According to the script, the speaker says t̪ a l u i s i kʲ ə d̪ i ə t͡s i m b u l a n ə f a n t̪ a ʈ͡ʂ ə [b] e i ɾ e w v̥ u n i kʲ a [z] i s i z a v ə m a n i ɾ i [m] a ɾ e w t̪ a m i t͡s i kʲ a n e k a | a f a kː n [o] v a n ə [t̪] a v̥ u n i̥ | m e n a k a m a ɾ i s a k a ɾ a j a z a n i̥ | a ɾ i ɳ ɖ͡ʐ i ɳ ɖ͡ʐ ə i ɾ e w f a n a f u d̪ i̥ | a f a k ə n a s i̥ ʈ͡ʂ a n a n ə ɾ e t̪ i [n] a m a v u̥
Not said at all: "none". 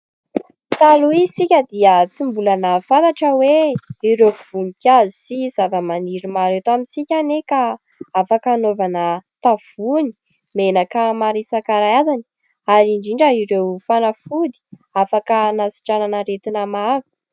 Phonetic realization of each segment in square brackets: w, z, m, o, t̪, n

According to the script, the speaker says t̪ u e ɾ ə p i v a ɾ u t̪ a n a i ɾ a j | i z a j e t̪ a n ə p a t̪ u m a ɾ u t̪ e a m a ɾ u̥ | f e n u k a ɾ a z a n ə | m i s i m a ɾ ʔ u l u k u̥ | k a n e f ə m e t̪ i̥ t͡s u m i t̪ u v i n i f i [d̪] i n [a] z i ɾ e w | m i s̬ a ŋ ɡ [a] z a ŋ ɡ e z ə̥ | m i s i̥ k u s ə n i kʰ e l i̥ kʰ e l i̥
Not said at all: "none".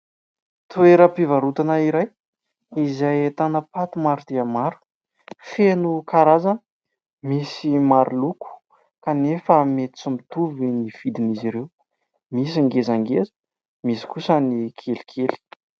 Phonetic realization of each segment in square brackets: d̪, i, e

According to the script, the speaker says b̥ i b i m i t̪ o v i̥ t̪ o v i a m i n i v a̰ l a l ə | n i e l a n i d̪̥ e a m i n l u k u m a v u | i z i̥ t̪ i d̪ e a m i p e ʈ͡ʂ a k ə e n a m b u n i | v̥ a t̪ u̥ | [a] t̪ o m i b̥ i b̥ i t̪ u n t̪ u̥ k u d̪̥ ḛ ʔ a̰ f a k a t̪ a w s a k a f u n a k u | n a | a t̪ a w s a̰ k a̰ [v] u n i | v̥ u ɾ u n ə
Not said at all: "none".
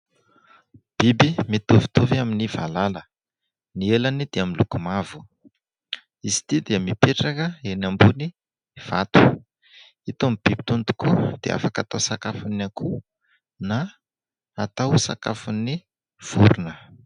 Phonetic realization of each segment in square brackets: i, f

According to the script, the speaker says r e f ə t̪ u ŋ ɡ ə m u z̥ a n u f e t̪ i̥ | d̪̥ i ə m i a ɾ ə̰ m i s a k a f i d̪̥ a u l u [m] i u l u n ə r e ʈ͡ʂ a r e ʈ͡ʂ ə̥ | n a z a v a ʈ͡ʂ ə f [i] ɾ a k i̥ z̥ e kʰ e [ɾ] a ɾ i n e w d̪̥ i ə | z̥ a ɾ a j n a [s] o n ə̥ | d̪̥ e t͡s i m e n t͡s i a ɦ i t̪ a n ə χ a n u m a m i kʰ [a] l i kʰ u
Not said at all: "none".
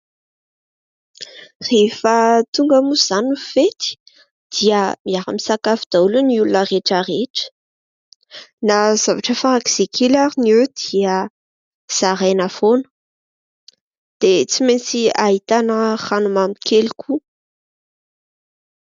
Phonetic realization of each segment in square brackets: n, a, l, f, e

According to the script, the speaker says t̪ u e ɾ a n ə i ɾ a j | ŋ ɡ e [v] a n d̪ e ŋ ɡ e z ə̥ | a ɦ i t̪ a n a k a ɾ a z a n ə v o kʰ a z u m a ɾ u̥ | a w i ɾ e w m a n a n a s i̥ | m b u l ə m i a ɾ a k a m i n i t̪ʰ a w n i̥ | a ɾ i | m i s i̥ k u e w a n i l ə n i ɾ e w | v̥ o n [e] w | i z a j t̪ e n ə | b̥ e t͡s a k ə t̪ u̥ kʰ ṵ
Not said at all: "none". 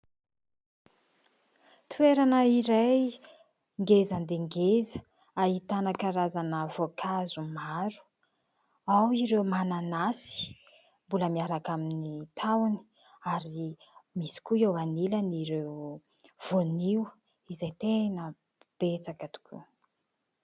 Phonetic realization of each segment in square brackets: z, i

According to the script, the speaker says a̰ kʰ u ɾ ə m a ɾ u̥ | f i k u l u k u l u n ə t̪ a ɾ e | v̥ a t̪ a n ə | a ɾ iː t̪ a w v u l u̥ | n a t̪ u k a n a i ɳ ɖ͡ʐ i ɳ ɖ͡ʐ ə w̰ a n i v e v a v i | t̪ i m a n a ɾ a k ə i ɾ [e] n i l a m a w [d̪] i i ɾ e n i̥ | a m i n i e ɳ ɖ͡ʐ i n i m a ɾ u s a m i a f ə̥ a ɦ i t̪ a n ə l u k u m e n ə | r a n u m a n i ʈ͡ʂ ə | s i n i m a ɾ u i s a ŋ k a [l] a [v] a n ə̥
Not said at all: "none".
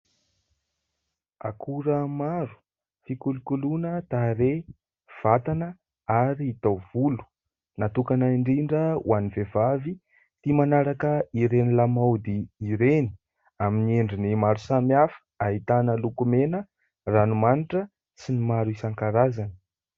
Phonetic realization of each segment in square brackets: e, d̪, ɾ, z

